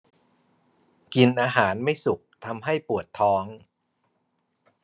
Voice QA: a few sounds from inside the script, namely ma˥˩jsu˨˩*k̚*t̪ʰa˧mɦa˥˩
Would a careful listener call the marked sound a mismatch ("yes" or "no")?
no